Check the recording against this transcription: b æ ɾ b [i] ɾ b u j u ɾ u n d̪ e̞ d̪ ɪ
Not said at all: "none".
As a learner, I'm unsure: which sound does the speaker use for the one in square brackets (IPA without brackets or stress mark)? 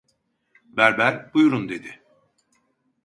æ